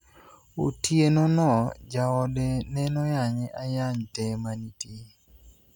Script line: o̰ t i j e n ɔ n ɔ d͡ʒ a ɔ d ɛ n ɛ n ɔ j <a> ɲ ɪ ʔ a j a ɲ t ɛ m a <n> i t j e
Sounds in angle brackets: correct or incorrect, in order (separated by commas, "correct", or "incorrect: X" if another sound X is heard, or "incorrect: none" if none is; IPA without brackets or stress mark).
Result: correct, correct